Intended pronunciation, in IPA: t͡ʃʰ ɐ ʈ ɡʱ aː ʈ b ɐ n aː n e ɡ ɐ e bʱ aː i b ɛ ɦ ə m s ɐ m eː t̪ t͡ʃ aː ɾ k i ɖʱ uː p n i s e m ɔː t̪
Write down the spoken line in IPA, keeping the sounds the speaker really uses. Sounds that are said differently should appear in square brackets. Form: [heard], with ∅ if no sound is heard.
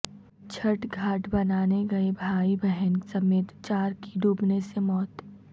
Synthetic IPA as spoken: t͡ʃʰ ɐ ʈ ɡʱ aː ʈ b ɐ n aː n e ɡ ɐ e bʱ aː i b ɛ ɦ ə [n] s ɐ m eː t̪ t͡ʃ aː ɾ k i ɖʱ uː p n [e] s e m ɔː t̪